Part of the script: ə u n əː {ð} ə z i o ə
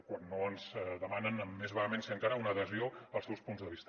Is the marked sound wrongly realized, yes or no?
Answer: no